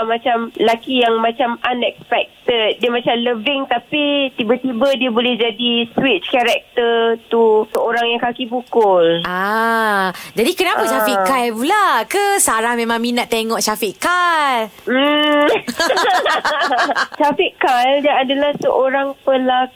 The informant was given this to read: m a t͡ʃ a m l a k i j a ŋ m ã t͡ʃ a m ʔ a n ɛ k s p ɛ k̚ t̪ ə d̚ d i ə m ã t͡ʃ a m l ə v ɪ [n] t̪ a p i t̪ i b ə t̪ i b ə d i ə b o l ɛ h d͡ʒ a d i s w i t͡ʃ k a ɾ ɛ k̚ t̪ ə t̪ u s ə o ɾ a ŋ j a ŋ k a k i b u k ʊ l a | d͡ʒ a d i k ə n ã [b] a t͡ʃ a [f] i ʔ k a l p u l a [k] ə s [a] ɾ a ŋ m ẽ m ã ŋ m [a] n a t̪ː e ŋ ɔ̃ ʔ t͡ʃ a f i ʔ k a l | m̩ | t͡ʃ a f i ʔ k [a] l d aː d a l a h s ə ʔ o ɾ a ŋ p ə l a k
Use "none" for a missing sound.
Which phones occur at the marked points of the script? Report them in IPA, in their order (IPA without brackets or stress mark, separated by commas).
ŋ, p, f, k, a, i, a